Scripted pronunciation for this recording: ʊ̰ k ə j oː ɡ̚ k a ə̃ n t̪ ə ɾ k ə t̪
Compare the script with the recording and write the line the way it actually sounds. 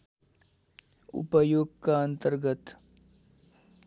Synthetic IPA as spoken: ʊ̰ p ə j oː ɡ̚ k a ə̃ n t̪ ə ɾ ɡ ə t̪